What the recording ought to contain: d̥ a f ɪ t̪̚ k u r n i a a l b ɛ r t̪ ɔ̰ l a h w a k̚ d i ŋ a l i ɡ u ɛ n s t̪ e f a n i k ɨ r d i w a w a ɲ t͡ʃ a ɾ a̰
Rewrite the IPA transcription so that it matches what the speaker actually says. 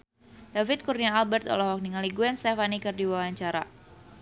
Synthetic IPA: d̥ a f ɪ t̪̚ k u r n i a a l b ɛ r t̪ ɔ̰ l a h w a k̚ n i ŋ a l i ɡ u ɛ n s t̪ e f a n i k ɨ r d i w a w a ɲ t͡ʃ a ɾ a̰